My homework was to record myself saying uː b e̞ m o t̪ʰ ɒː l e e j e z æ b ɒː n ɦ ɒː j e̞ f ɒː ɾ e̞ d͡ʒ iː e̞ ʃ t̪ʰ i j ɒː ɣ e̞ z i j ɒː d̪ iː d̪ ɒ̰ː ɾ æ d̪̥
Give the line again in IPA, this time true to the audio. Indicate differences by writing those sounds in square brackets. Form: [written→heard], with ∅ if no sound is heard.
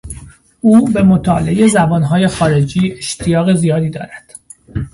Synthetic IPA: uː b e̞ m o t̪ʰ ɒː l e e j e z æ b ɒː n ɦ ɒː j e̞ [f→x] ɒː ɾ e̞ d͡ʒ iː e̞ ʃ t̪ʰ i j ɒː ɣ e̞ z i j ɒː d̪ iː d̪ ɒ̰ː ɾ æ d̪̥